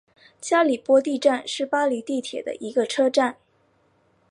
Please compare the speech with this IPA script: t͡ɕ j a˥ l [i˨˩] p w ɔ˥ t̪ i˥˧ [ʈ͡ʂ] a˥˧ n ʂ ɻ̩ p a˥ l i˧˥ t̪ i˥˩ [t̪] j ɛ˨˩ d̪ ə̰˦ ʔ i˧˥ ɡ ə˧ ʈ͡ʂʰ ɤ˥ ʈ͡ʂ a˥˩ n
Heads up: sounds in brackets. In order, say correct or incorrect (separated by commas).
correct, correct, incorrect